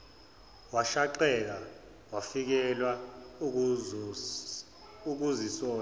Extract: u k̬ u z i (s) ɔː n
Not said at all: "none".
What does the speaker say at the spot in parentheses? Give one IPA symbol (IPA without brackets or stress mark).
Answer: s